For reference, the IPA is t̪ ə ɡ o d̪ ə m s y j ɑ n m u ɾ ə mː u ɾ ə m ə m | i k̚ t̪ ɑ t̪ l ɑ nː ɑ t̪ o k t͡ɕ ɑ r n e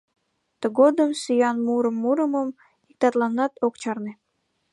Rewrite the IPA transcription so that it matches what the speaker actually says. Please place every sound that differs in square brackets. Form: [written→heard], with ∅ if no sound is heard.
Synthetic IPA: t̪ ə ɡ o d̪ ə m s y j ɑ n m u ɾ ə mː u ɾ ə m ə m | i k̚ t̪ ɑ t̪ l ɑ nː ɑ t̪ o k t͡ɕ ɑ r n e

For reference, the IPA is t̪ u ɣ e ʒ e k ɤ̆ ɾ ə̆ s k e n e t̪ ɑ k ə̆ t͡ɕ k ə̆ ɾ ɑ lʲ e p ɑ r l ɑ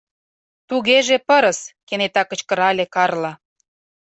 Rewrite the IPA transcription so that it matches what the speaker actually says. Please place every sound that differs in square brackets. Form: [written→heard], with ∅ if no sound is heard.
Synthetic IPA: t̪ u ɣ e ʒ e [k→p] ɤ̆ ɾ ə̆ s k e n e t̪ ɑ k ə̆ t͡ɕ k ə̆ ɾ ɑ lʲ e [p→k] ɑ r l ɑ

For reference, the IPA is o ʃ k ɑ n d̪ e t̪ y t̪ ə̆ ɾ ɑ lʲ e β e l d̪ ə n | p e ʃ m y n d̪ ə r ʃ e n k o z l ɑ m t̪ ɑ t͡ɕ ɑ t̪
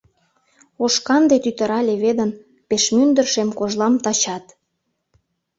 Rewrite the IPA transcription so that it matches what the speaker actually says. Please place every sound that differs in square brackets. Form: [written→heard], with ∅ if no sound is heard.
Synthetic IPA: o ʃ k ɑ n d̪ e t̪ y t̪ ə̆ ɾ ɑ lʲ e β e [l→∅] d̪ ə n | p e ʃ m y n d̪ ə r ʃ e [n→m] k o [z→ʒ] l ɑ m t̪ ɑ t͡ɕ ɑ t̪

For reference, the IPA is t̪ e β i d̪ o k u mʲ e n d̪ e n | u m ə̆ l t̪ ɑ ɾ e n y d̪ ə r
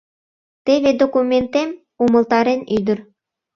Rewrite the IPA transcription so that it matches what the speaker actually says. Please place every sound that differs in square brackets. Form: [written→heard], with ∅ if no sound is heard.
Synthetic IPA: t̪ e β [i→e] d̪ o k u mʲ e n [d̪→t̪] e [n→m] | u m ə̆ l t̪ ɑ ɾ e n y d̪ ə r

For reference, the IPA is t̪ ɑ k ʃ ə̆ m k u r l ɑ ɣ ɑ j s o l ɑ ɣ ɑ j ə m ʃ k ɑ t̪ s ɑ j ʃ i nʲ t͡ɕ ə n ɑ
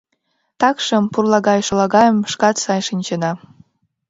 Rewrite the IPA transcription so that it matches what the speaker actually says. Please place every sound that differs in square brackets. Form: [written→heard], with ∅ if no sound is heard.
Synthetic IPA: t̪ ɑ k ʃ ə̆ m [k→p] u r l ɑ ɣ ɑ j [s→ʃ] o l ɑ ɣ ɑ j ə m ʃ k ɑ t̪ s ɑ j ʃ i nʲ t͡ɕ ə n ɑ

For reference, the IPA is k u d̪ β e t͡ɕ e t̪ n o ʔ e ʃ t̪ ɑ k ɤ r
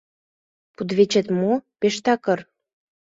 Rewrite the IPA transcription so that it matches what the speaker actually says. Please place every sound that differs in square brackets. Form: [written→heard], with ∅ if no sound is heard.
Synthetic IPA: [k→p] u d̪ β e t͡ɕ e t̪ [n→m] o [ʔ→p] e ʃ t̪ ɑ k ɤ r

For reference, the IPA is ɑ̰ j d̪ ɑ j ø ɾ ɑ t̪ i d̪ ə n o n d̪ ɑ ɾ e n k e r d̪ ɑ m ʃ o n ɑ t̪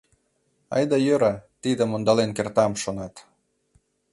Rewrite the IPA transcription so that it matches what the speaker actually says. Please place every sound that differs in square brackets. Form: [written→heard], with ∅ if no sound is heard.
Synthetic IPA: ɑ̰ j d̪ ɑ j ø ɾ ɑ t̪ i d̪ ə [n→m] o n d̪ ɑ [ɾ→l] e n k e r [d̪→t̪] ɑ m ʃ o n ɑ t̪

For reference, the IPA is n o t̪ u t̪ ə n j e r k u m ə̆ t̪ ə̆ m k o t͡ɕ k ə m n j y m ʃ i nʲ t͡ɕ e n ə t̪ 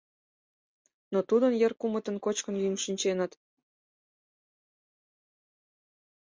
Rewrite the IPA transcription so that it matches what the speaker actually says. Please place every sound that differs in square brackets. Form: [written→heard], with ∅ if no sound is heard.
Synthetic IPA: n o t̪ u [t̪→d̪] ə n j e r k u m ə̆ t̪ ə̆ [m→n] k o t͡ɕ k ə [m→∅] n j y m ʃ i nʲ t͡ɕ e n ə t̪

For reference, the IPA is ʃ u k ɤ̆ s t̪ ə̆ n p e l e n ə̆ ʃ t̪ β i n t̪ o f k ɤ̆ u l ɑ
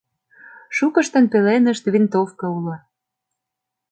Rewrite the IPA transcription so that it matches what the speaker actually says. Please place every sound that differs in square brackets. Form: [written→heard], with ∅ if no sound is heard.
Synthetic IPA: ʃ u k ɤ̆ [s→ʃ] t̪ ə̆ n p e l e n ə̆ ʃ t̪ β i n t̪ o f k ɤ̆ u l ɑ

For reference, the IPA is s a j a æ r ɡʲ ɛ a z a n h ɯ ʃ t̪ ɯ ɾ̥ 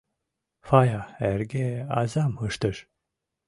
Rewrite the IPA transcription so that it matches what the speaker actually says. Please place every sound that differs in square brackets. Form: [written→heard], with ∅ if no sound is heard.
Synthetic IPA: [s→f] a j a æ [r→ɾ] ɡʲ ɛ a z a [n→m] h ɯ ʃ t̪ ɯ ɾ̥

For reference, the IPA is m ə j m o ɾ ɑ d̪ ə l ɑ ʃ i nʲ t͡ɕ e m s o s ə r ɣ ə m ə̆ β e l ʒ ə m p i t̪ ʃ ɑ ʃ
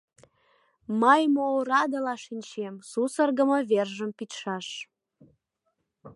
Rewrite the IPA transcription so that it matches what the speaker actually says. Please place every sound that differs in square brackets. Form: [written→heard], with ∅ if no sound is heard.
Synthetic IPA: m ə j m o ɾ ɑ d̪ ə l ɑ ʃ i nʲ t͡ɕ e m s [o→u] s ə r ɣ ə m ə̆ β e [l→r] ʒ ə m p i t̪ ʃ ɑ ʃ

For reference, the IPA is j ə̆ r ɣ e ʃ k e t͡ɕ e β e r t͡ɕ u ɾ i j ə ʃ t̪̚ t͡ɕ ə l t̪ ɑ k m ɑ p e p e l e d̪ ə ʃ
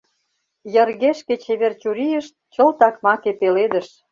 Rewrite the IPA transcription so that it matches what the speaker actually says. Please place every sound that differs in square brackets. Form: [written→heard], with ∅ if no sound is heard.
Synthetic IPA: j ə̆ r ɣ e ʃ k e t͡ɕ e β e r t͡ɕ u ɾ i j ə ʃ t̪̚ t͡ɕ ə l t̪ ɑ k m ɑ [p→k] e p e l e d̪ ə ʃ

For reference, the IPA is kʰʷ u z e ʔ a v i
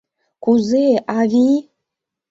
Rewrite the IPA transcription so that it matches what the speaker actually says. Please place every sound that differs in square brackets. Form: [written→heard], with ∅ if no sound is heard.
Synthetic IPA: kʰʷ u z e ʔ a v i

